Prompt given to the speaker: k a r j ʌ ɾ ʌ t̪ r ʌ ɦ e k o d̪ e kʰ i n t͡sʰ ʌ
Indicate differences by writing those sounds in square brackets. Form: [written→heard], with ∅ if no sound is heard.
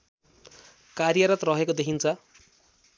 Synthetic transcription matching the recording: k a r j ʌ ɾ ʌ t̪ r ʌ ɦ e k o d̪ e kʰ i n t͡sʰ ʌ